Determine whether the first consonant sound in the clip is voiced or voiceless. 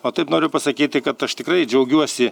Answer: voiceless